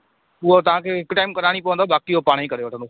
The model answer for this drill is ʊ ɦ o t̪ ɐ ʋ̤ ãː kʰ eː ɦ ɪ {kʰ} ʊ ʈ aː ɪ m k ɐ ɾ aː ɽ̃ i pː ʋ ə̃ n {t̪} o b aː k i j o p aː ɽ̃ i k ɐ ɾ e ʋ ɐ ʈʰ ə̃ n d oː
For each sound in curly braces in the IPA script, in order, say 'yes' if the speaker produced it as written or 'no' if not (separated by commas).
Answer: no, no